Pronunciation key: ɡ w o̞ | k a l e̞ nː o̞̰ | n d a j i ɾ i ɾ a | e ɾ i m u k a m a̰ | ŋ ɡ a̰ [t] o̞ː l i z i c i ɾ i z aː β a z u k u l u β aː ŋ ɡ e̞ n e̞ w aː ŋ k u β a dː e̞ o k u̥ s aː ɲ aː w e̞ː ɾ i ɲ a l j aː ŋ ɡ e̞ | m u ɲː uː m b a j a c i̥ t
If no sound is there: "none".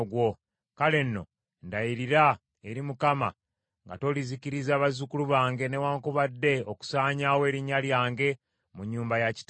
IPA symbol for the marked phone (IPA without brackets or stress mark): t